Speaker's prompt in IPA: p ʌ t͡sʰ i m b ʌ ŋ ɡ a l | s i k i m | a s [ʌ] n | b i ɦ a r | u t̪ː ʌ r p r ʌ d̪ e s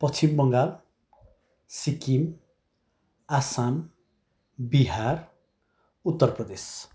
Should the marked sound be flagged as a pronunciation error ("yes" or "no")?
yes